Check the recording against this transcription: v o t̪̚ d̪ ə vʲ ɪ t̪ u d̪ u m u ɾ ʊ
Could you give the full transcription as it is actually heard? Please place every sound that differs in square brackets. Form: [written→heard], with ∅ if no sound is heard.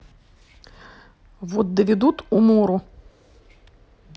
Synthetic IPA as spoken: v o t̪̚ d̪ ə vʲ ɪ [t̪→d̪] u [d̪→t̪] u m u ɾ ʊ